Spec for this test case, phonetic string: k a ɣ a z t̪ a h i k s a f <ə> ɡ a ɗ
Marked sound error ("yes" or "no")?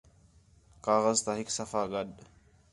yes